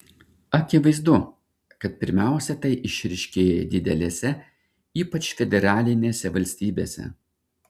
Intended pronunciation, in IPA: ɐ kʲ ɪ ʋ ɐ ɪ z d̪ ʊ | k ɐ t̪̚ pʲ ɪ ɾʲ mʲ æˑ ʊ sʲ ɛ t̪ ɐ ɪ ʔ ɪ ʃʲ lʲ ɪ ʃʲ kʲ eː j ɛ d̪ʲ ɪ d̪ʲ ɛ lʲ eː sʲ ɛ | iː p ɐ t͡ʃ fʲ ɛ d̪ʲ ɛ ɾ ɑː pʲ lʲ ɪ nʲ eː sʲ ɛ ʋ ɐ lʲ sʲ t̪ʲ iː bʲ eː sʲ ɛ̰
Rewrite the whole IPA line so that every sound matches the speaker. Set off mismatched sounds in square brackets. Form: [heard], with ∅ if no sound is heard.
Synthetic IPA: ɐ kʲ ɪ ʋ ɐ ɪ z d̪ ʊ | k ɐ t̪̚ pʲ ɪ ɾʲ mʲ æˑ ʊ sʲ ɛ t̪ ɐ ɪ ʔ ɪ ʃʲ [ɾʲ] ɪ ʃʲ kʲ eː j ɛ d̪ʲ ɪ d̪ʲ ɛ lʲ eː sʲ ɛ | iː p ɐ t͡ʃ fʲ ɛ d̪ʲ ɛ ɾ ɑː [∅] lʲ ɪ nʲ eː sʲ ɛ ʋ ɐ lʲ sʲ t̪ʲ iː bʲ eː sʲ ɛ̰